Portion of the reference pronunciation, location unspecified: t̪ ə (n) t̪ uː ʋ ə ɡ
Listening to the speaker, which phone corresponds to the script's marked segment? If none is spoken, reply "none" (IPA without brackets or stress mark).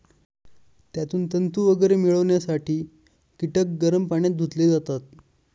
n